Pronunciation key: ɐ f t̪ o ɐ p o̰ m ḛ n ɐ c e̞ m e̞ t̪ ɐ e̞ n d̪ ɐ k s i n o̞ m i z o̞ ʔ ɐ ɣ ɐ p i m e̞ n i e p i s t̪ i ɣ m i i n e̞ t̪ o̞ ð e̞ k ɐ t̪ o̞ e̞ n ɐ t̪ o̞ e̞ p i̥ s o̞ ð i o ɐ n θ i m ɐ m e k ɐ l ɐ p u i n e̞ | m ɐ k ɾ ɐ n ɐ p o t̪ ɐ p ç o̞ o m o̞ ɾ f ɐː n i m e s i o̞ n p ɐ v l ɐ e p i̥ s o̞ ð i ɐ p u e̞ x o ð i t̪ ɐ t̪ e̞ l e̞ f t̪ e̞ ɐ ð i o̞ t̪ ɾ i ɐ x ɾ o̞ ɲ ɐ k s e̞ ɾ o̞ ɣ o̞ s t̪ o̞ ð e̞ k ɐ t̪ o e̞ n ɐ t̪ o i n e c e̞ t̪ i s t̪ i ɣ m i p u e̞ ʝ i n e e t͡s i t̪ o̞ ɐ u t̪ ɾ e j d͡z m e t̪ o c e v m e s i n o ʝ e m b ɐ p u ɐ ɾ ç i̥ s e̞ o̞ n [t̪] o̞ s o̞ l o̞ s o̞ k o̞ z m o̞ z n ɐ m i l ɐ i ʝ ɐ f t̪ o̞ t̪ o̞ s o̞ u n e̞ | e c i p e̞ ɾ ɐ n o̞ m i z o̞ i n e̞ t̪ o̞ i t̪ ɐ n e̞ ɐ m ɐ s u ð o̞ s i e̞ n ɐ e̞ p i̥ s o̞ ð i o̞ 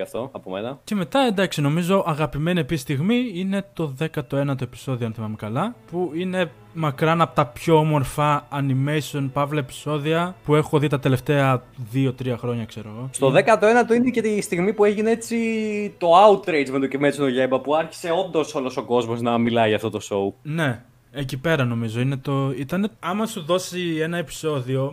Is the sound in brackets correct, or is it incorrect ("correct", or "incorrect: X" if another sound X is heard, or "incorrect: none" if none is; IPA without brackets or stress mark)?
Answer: incorrect: d̪